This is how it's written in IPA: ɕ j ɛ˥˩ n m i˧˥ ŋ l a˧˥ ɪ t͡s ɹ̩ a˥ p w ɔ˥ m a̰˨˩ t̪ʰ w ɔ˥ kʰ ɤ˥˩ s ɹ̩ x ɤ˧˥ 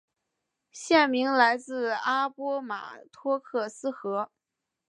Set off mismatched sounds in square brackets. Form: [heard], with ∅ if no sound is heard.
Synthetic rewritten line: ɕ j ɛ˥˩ n m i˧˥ ŋ l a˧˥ ɪ t͡s ɹ̩ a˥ p w ɔ˥ m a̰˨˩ t̪ʰ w ɔ˥ kʰ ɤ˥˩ s ɹ̩ x ɤ˧˥